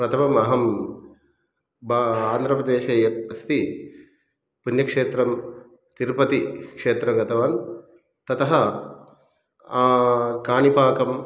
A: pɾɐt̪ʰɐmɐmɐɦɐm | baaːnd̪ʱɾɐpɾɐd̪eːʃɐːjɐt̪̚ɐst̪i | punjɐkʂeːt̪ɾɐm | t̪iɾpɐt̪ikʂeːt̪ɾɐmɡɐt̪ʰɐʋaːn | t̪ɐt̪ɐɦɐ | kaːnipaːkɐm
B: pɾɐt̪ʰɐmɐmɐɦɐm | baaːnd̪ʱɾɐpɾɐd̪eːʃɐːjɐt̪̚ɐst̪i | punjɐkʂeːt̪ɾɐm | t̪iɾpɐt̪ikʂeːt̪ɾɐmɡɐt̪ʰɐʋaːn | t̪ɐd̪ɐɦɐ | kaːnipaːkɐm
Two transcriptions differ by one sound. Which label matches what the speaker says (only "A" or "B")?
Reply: A